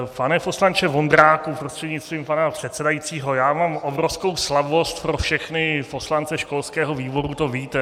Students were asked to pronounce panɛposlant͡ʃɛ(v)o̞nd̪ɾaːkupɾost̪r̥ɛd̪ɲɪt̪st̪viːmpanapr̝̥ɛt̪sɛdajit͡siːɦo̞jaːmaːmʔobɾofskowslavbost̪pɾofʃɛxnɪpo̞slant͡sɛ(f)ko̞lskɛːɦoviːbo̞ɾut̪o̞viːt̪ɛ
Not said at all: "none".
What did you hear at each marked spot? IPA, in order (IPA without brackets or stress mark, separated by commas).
v, ʃ